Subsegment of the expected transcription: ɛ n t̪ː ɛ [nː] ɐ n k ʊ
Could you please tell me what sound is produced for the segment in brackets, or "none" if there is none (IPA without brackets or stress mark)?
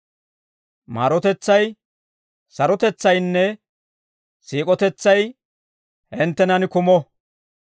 n